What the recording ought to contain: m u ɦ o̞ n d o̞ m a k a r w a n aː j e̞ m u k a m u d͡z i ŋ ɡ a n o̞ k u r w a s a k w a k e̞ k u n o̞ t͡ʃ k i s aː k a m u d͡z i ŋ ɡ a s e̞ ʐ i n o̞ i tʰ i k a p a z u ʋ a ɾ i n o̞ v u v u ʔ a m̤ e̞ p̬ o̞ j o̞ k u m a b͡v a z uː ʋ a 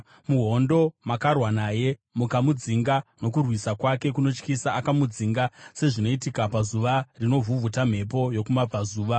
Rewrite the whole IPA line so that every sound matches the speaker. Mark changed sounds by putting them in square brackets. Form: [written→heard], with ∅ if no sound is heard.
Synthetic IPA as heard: m u ɦ o̞ n d o̞ m a k a r w a n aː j e̞ m u k a m u d͡z i ŋ ɡ a n o̞ k u r w [a→i] s a k w a k e̞ k u n o̞ t͡ʃ k i s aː k a m u d͡z i ŋ ɡ a s e̞ ʐ i n o̞ i [tʰ→t] i k a p a z u ʋ a [ɾ→r] i n o̞ v u v u [ʔ→t] a m̤ e̞ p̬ o̞ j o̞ k u m a b͡v a z uː ʋ a

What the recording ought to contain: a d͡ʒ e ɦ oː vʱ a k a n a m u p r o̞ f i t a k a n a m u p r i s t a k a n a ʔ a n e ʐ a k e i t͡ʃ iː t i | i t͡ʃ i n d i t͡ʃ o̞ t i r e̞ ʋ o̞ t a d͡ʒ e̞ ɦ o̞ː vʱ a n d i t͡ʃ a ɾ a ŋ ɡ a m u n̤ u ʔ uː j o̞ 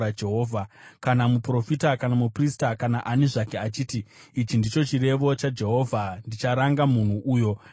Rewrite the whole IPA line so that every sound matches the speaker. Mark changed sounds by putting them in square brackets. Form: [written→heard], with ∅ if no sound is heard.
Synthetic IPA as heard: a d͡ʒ e ɦ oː vʱ a k a n a m u p r o̞ f i t a k a n a m u p r i s t a k a n a ʔ a n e ʐ a k e [i→a] t͡ʃ iː t i | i t͡ʃ i n d i t͡ʃ o̞ [t→t͡ʃ] i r e̞ ʋ o̞ [t→t͡ʃ] a d͡ʒ e̞ ɦ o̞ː vʱ a n d i t͡ʃ a ɾ a ŋ ɡ a m u n̤ u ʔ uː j o̞

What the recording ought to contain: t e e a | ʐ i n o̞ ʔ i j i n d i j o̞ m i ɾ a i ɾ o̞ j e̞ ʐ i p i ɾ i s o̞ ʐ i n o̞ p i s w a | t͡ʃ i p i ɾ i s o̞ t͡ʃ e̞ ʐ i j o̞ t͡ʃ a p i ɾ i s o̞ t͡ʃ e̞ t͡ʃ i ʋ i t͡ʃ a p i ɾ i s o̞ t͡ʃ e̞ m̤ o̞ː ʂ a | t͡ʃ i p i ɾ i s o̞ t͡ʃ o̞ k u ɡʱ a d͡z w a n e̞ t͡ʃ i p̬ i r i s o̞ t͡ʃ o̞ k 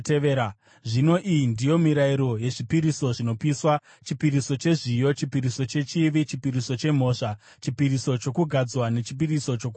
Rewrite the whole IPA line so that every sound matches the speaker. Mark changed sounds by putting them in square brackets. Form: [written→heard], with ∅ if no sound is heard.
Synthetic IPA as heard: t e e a | ʐ i n o̞ ʔ i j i n d i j o̞ m i ɾ a i ɾ o̞ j e̞ ʐ i p i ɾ i s o̞ ʐ i n o̞ p i s w a | t͡ʃ i p i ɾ i s o̞ t͡ʃ e̞ ʐ i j o̞ t͡ʃ [a→i] p i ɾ i s o̞ t͡ʃ e̞ t͡ʃ i ʋ i t͡ʃ [a→i] p i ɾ i s o̞ t͡ʃ e̞ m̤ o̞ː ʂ a | t͡ʃ i p i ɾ i s o̞ t͡ʃ o̞ k u ɡʱ a d͡z w a n e̞ t͡ʃ i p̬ i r i s o̞ t͡ʃ o̞ k

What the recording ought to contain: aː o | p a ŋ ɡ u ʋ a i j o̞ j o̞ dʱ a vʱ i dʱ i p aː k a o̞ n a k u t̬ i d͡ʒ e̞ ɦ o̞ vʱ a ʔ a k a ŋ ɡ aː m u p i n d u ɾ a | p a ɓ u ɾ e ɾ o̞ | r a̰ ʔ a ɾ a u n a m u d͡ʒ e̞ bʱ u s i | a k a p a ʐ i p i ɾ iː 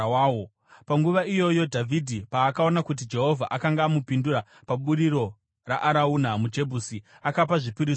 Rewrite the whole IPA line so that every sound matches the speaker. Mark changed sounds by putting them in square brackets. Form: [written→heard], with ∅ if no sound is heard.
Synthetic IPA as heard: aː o | p a ŋ ɡ u ʋ a i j o̞ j o̞ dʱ a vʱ i dʱ i p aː k a o̞ n a k u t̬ i d͡ʒ e̞ ɦ o̞ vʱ a ʔ a k a ŋ ɡ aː m u p i n d u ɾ a | p a ɓ u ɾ [e→i] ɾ o̞ | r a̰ ʔ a ɾ a u n a m u d͡ʒ e̞ bʱ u s i | a k a p a ʐ i p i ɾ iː

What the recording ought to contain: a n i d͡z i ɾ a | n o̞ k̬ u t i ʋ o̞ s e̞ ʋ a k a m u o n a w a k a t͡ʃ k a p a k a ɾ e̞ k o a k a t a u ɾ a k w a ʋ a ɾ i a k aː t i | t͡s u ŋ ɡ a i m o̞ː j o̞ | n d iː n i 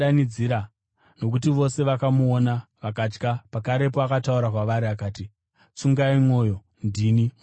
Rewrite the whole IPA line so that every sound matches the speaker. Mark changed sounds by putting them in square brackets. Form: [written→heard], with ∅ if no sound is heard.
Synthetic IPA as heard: a n i d͡z i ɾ a | n o̞ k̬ u t i ʋ o̞ s e̞ ʋ a k a m u o n a [w→ʋ] a k a t͡ʃ k a p a k a ɾ e̞ [k→p] o a k a t a u ɾ a k w a ʋ a ɾ i a k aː t i | t͡s u ŋ ɡ a i m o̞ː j o̞ | n d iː n i

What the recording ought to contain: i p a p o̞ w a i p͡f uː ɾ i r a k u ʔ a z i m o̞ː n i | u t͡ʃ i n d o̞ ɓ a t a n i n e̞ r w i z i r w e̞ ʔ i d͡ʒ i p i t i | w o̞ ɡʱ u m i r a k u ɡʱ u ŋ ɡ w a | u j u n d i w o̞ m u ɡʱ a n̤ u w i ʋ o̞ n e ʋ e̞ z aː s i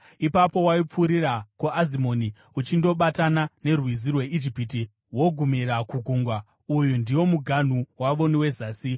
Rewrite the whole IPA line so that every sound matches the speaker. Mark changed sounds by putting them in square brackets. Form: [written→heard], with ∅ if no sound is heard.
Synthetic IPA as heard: i p a p o̞ w a i p͡f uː ɾ i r a k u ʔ a z i m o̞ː n i | u t͡ʃ i n d o̞ ɓ a t a n [i→a] n e̞ r w i z i r w e̞ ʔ i d͡ʒ i p i t i | w o̞ ɡʱ u m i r a k u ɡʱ u ŋ ɡ w a | u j u n d i w o̞ m u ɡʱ a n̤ u w [i→a] ʋ o̞ n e [ʋ→w] e̞ z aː s i

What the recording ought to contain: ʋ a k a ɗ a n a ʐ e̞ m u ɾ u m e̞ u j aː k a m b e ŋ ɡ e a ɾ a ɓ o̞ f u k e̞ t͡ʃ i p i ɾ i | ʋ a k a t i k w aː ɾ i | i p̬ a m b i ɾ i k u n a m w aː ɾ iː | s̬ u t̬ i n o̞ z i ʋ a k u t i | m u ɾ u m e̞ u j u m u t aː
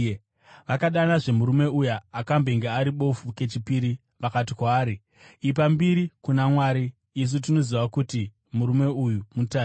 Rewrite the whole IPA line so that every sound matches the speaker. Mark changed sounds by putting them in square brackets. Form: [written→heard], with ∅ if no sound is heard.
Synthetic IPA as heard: ʋ a k a ɗ a n a ʐ e̞ m u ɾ u m e̞ u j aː k a m b e ŋ ɡ e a ɾ [a→i] ɓ o̞ f u k e̞ t͡ʃ i p i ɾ i | ʋ a k a t i k w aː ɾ i | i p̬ a m b i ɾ i k u n a m w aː ɾ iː | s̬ u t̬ i n o̞ z i ʋ a k u t i | m u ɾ u m e̞ u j u m u t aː

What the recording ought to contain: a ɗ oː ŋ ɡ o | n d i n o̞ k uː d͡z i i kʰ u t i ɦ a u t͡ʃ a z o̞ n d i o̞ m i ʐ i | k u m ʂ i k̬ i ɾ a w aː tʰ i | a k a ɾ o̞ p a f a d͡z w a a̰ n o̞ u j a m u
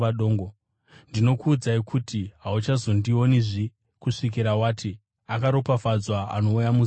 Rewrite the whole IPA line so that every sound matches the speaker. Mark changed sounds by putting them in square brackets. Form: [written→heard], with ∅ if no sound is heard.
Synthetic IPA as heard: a ɗ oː ŋ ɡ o | n d i n o̞ k uː d͡z [i→a] i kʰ u t i ɦ a u t͡ʃ a z o̞ n d i o̞ [m→n] i ʐ i | k u [m→∅] ʂ i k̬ i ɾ a w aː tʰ i | a k a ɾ o̞ p a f a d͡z w a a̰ n o̞ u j a m u

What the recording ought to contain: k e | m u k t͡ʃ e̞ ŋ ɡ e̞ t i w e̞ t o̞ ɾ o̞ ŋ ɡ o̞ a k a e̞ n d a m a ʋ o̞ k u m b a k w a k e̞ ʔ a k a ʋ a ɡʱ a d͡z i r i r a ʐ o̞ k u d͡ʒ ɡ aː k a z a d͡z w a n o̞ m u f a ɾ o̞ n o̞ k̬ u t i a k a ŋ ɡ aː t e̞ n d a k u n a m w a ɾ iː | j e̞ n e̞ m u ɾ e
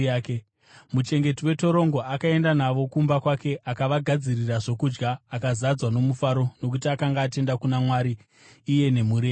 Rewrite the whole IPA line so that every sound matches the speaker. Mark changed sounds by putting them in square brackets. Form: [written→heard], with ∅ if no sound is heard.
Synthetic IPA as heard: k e | m u [k→∅] t͡ʃ e̞ ŋ ɡ e̞ t i w e̞ t o̞ ɾ o̞ ŋ ɡ o̞ a k a e̞ n d a [m→n] a ʋ o̞ k u m b a k w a k e̞ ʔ a k a ʋ a ɡʱ a d͡z i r i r a ʐ o̞ k u d͡ʒ ɡ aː k a z a d͡z w a n o̞ m u f a ɾ o̞ n o̞ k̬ u t i a k a ŋ ɡ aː t e̞ n d a k u n a m w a ɾ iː | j e̞ n e̞ m u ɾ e

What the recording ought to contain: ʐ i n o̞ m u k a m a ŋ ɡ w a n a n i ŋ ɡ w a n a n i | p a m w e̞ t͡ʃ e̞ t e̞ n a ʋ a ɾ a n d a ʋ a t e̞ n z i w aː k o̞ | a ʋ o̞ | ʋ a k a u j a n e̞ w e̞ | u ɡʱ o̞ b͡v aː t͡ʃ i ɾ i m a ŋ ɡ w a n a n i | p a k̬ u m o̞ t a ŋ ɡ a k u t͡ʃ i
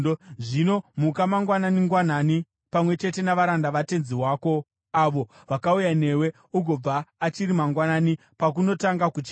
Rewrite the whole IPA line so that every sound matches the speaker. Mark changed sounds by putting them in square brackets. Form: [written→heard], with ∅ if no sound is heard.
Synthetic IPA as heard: ʐ i n o̞ m u k a m a ŋ ɡ w a n a n i ŋ ɡ w a n a n i | p a m w e̞ t͡ʃ e̞ t e̞ n a ʋ a ɾ a n d a ʋ a t e̞ n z i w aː k o̞ | a ʋ o̞ | ʋ a k a u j a n e̞ w e̞ | u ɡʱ o̞ b͡v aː t͡ʃ i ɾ i m a ŋ ɡ w a n a n i | p a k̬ u [m→n] o̞ t a ŋ ɡ a k u t͡ʃ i

